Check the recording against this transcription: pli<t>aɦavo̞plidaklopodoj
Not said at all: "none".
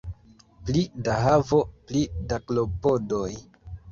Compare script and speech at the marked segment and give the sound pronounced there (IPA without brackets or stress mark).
d